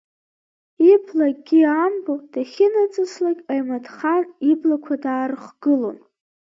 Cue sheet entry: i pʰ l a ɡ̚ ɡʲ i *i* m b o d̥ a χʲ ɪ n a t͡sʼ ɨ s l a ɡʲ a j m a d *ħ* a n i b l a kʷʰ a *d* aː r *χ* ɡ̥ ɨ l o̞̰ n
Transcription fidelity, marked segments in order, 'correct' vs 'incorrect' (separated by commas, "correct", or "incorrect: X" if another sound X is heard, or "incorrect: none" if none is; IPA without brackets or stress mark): incorrect: a, incorrect: χ, correct, correct